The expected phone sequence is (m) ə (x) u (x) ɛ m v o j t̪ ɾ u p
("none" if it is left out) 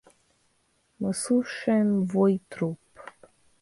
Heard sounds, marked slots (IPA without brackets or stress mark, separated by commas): m, s, ʃ